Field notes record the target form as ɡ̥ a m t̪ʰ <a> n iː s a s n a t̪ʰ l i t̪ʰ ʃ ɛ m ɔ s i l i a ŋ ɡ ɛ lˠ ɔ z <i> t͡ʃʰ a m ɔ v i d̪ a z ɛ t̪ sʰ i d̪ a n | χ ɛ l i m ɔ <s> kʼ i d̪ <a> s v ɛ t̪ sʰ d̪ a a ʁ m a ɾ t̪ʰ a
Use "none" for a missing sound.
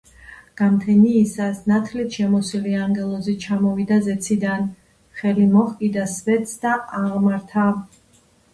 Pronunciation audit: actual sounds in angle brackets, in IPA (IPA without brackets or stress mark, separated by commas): ɛ, i, χ, a